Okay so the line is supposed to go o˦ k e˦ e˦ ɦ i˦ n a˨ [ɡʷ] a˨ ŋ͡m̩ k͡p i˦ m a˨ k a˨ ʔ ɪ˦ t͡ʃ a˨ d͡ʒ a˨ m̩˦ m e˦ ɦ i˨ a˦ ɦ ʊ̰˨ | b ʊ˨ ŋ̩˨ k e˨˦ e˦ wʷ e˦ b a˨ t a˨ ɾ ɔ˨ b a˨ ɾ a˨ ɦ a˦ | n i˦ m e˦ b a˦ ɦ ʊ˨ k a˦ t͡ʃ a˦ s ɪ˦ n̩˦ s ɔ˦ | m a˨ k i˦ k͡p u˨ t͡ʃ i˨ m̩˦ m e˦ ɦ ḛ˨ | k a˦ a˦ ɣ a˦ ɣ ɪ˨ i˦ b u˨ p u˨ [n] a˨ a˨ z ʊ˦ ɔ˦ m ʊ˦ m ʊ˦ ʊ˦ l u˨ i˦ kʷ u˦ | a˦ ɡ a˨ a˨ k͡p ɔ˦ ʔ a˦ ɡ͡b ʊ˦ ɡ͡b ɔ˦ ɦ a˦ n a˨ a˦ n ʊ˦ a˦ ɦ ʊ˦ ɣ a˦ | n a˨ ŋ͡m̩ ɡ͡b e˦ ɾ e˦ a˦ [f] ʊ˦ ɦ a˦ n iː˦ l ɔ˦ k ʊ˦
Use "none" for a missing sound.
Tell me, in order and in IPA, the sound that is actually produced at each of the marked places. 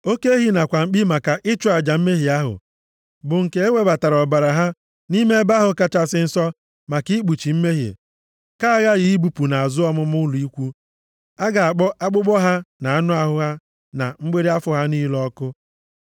kʷ, n, f

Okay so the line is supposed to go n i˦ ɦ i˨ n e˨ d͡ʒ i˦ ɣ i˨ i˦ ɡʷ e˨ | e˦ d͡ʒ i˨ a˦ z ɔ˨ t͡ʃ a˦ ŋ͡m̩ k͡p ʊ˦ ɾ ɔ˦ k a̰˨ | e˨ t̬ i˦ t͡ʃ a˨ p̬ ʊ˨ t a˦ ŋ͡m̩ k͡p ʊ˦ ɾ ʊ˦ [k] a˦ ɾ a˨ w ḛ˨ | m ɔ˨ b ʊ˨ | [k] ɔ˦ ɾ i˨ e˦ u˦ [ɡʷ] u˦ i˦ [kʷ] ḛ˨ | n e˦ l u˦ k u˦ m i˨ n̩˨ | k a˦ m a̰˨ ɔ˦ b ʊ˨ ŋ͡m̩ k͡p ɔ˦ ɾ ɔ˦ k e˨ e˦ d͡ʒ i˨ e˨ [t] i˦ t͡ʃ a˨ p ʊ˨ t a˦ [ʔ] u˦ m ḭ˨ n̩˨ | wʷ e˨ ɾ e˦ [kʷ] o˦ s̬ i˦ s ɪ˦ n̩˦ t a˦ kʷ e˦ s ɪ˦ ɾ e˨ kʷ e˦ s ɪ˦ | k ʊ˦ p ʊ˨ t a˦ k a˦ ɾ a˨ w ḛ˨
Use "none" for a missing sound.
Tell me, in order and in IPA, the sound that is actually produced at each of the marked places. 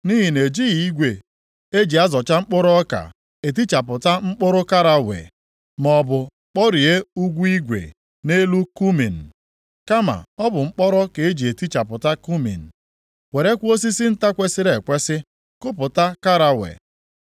k, k͡p, ɡʷ, ɡʷ, t, k, kʷ

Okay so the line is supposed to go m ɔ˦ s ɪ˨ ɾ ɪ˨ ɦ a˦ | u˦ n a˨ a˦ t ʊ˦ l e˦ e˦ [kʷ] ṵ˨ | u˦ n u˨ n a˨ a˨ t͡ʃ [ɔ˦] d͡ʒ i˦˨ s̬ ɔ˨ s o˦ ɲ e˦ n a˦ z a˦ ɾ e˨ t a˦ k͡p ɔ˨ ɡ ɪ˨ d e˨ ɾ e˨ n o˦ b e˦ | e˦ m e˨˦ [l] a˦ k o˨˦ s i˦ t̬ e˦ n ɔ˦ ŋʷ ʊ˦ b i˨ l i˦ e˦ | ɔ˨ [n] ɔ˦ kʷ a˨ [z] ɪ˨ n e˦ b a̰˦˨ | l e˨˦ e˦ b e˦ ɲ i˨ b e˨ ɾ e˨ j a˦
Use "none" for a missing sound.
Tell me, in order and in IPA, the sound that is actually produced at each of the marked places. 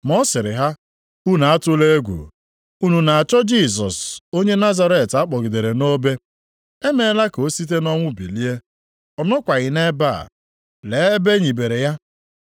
ɡʷ, ɔ˦, l, n, ɣ

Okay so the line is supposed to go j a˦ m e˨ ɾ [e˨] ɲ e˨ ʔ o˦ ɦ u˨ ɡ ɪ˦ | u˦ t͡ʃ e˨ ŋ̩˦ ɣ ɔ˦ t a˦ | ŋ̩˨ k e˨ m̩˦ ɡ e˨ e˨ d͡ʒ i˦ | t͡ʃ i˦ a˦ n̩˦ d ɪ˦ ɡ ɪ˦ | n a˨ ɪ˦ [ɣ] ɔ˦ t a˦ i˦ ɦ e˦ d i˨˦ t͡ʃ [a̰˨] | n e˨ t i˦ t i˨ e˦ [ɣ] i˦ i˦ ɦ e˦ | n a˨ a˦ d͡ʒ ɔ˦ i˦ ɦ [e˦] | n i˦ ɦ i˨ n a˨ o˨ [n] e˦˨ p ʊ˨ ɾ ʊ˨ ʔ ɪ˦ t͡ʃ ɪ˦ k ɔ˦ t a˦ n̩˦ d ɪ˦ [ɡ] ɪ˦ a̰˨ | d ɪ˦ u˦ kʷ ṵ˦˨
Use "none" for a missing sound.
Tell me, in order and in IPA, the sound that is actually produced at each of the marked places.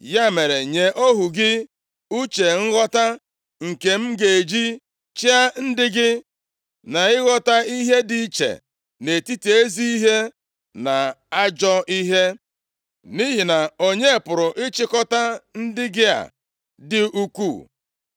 e˨, ɣ, ḛ˨, z, e˦, ɲ, ɡ

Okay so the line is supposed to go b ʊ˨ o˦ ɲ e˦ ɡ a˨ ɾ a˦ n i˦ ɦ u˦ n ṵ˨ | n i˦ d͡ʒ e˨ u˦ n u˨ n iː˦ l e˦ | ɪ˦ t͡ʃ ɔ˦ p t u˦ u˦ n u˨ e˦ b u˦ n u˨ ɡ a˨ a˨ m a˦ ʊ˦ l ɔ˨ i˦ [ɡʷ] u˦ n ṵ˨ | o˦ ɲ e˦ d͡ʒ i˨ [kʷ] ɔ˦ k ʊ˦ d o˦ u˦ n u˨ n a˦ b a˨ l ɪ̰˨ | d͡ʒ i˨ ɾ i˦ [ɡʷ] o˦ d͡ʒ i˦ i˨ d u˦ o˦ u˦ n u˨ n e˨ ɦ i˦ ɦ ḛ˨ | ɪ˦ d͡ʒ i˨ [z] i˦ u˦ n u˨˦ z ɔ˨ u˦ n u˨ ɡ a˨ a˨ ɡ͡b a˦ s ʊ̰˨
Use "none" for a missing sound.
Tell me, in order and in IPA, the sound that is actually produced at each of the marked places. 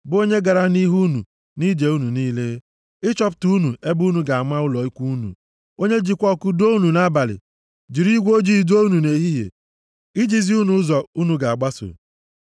kʷ, kʷ, ɡʷ, z

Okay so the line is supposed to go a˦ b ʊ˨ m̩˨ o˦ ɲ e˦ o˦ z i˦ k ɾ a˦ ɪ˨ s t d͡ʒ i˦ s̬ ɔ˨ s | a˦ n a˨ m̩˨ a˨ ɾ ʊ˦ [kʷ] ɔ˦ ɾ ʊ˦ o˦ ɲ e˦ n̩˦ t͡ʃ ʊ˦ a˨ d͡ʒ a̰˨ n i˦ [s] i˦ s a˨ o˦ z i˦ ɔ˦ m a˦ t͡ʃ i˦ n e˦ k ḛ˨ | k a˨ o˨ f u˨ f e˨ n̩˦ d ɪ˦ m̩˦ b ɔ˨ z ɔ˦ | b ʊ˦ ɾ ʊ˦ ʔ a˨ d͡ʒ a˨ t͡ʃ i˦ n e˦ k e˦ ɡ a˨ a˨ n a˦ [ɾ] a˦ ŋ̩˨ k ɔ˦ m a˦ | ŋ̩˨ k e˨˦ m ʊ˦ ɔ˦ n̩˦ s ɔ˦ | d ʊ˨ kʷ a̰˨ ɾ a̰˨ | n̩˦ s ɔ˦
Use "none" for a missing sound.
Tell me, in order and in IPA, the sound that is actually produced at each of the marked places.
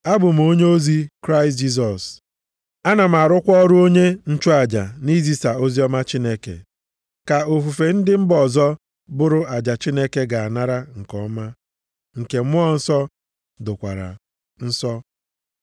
kʷ, z, ɾ

